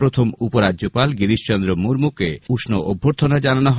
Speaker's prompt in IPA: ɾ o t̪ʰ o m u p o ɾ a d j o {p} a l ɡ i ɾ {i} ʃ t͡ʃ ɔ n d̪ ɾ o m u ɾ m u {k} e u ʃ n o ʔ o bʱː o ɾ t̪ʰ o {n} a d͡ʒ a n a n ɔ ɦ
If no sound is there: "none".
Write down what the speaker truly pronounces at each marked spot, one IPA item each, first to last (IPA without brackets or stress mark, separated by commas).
p, i, k, n